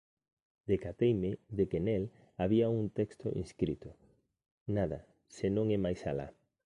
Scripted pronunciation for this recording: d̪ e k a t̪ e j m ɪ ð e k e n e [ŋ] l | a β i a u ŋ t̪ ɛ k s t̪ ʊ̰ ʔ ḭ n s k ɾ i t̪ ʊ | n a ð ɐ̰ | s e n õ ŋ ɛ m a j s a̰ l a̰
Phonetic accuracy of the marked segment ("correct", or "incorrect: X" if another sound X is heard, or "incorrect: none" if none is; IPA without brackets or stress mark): incorrect: none